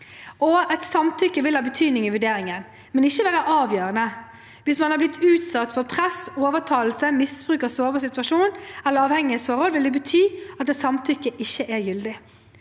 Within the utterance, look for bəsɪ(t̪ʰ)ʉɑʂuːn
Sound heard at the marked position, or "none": t̪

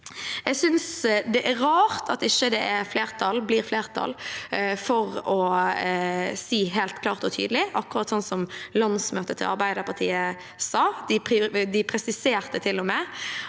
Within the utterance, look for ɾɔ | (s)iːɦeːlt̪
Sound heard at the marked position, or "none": s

